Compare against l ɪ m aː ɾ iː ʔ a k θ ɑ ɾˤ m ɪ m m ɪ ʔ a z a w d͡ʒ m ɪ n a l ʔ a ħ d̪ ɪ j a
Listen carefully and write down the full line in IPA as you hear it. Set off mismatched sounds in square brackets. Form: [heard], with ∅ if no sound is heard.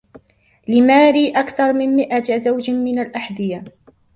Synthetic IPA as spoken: l ɪ m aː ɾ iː ʔ a k θ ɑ ɾˤ m ɪ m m ɪ ʔ a z a w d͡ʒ m ɪ n a l ʔ a ħ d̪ ɪ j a